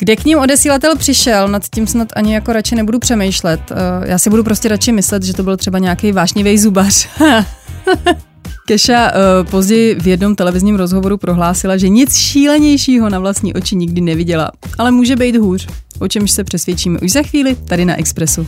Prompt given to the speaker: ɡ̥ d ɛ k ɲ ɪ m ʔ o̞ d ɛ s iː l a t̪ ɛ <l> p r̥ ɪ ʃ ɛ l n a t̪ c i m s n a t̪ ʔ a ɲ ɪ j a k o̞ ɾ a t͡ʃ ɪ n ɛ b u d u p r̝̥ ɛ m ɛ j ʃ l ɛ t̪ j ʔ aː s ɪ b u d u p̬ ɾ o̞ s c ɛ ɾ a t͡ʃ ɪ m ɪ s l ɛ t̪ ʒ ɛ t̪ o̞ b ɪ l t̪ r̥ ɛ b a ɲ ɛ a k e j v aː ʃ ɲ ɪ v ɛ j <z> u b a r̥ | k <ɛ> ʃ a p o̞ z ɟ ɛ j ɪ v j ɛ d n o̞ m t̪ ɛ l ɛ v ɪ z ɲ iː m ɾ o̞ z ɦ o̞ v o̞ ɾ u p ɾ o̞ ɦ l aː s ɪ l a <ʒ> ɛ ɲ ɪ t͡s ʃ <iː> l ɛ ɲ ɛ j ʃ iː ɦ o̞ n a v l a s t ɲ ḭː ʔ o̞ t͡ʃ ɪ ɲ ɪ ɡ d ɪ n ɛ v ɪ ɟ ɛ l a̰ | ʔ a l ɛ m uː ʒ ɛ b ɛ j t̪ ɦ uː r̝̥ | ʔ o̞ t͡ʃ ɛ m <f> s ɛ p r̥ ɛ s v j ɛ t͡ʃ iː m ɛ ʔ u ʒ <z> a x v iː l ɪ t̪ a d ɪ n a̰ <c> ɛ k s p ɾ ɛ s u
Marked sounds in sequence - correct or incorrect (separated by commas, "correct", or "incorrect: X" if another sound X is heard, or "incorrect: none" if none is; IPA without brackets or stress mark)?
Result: correct, correct, correct, correct, correct, incorrect: ʃ, correct, incorrect: ʔ